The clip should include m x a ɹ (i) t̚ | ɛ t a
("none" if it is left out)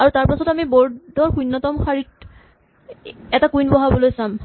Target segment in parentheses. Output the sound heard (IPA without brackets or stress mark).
i